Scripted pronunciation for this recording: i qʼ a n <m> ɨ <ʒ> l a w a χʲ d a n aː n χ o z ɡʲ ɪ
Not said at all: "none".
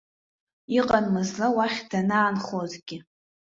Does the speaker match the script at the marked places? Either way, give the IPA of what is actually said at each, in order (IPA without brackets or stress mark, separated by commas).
m, z